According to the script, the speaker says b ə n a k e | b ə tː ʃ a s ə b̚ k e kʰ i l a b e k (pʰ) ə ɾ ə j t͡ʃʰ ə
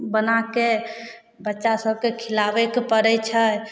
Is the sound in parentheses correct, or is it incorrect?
incorrect